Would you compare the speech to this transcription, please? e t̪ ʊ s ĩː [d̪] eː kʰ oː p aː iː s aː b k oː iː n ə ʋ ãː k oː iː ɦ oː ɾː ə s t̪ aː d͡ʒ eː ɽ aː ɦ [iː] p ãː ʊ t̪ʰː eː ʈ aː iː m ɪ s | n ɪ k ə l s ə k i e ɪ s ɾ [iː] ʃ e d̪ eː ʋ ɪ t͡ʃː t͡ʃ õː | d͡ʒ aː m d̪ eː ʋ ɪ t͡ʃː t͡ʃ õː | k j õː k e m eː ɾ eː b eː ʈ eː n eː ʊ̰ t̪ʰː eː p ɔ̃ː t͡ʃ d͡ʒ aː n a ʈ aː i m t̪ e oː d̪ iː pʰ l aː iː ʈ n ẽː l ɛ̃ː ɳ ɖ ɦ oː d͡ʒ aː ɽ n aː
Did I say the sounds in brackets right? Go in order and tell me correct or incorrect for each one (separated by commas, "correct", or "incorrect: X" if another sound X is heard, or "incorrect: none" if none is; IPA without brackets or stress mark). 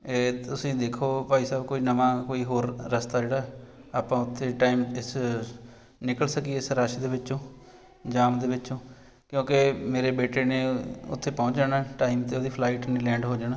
correct, incorrect: aː, incorrect: aː